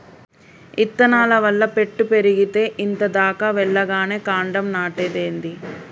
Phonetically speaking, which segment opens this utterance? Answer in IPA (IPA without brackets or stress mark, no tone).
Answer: i